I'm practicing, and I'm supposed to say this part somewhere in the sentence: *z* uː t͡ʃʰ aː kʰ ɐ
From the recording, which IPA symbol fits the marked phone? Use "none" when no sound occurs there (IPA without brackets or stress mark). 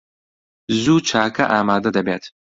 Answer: z